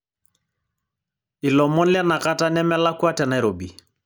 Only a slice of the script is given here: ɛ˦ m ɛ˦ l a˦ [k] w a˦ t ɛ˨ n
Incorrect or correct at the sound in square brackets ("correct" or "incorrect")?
correct